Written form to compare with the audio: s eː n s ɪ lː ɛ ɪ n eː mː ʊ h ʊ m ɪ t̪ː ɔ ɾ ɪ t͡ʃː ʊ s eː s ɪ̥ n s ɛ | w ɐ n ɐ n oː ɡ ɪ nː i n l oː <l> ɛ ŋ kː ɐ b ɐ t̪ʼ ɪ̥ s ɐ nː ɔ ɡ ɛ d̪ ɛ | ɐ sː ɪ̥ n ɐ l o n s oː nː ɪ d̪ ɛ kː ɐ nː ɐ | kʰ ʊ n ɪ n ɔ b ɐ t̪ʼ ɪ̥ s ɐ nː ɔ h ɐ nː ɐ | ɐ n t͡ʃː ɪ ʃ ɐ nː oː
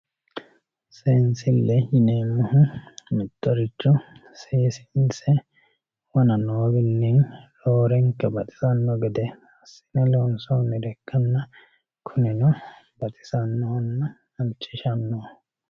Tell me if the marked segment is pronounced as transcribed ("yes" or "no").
no